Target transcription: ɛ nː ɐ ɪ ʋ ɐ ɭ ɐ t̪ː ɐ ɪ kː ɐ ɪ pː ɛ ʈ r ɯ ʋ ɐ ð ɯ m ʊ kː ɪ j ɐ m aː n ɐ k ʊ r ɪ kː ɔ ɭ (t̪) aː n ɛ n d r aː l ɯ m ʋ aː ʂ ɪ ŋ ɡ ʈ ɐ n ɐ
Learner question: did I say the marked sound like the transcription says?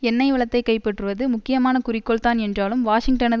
yes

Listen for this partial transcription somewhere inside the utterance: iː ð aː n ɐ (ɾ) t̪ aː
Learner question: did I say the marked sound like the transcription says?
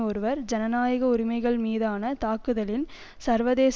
no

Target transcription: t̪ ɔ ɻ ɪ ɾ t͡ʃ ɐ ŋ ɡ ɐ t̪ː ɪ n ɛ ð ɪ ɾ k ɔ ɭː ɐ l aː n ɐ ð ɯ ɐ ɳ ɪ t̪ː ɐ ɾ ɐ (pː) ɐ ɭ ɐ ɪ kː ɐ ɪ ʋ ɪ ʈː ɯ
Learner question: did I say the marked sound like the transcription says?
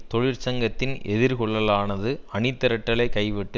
no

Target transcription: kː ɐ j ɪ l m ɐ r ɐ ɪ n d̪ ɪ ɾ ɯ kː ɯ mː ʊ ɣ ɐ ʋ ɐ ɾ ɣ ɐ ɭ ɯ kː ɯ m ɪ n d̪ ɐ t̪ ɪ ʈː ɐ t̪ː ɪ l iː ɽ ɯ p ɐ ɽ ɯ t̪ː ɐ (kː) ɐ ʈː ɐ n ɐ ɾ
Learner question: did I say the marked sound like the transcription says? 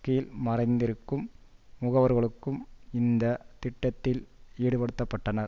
no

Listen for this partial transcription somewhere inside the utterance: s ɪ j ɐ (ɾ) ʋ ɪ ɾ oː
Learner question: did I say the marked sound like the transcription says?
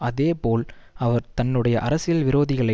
no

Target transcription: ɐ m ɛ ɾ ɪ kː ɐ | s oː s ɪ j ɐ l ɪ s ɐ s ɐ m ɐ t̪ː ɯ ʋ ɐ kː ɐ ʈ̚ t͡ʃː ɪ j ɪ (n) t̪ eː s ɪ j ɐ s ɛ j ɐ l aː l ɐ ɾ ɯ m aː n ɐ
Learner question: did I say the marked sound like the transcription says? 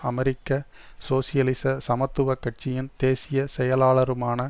yes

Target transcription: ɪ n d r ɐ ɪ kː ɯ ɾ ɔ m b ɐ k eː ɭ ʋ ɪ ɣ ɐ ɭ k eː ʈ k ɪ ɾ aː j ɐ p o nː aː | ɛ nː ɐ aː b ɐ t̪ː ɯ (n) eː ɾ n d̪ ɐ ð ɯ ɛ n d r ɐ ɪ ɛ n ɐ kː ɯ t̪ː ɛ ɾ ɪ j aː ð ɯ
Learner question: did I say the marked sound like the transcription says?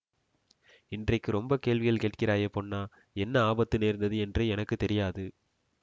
yes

